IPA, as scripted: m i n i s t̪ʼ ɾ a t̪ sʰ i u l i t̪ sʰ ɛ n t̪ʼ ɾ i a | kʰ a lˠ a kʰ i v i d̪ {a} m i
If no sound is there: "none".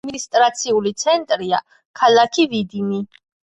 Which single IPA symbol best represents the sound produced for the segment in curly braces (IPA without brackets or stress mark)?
i